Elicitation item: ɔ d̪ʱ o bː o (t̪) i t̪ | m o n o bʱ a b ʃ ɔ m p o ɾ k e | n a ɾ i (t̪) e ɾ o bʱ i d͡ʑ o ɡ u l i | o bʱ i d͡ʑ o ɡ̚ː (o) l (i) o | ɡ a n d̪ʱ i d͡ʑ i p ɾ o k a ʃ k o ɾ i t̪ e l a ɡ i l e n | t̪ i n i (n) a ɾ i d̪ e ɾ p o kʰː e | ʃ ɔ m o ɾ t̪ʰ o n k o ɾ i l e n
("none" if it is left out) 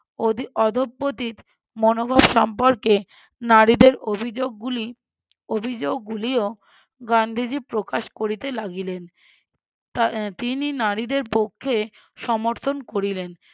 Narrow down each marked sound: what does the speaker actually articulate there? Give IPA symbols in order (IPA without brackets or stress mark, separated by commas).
t̪, d̪, u, i, n